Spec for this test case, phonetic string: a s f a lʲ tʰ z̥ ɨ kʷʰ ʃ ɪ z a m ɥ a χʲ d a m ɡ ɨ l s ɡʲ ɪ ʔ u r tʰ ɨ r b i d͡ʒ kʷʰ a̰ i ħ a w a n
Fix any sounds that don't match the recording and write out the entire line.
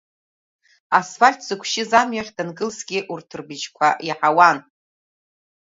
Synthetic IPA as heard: a s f a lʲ tʰ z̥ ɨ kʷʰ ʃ ɪ z a m ɥ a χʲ d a n ɡ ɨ l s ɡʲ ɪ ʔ u r tʰ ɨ r b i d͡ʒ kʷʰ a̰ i ħ a w a n